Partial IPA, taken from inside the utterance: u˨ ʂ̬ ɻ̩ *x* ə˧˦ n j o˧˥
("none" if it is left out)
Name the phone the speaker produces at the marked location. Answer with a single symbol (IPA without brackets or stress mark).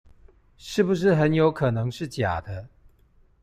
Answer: x